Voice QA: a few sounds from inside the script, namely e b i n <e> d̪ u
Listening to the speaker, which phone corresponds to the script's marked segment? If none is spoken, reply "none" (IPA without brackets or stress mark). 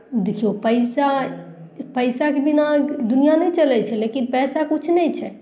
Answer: a